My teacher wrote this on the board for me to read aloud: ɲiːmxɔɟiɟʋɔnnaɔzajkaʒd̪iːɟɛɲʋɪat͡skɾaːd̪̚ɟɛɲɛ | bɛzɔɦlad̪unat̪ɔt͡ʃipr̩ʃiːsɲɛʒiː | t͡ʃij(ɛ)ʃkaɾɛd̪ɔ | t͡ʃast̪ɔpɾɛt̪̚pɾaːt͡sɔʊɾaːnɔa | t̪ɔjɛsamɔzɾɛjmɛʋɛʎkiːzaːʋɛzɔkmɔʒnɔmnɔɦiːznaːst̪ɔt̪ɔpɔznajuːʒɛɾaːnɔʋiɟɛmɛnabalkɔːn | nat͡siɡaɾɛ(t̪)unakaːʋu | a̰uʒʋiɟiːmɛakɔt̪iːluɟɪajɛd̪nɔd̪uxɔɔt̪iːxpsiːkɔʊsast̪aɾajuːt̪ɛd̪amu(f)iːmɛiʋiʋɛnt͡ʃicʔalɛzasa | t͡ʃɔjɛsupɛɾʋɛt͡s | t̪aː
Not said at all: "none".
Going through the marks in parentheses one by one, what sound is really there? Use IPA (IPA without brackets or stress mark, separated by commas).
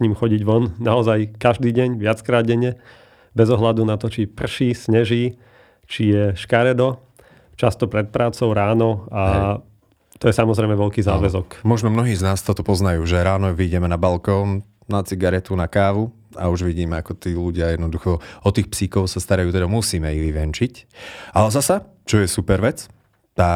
ɛ, t̪, s